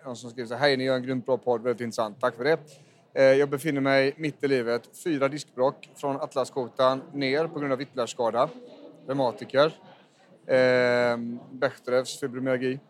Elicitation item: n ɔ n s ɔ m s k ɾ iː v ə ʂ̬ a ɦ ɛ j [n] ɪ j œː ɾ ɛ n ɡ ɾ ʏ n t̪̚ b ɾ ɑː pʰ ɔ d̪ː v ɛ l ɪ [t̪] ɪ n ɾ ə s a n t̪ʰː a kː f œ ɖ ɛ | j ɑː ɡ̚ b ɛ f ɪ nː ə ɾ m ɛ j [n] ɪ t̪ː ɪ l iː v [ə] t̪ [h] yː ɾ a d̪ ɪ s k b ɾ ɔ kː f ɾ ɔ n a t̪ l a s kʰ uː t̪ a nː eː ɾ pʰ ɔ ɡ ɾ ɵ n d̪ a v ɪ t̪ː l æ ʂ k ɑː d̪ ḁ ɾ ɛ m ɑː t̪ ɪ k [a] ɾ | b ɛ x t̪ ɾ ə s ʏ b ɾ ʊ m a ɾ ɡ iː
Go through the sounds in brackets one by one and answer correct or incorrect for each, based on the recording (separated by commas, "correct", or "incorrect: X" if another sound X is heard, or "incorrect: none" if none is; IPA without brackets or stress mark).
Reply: correct, correct, incorrect: m, correct, incorrect: f, incorrect: ə